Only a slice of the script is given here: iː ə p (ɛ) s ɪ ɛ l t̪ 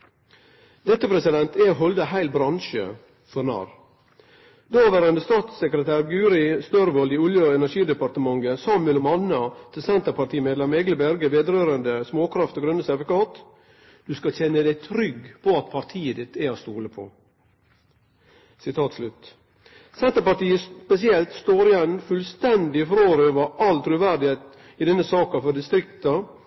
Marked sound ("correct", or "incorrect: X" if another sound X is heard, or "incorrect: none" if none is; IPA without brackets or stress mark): correct